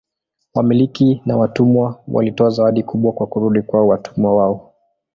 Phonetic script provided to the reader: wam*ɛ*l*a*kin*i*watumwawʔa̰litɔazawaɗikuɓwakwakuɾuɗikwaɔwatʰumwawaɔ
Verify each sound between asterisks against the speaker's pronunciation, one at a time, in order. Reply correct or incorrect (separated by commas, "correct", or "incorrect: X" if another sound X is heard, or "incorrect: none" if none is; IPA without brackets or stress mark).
incorrect: i, incorrect: i, incorrect: a